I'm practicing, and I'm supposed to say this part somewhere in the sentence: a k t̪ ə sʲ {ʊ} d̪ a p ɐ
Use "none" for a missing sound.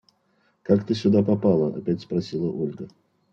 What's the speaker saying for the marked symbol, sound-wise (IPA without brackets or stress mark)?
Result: ʊ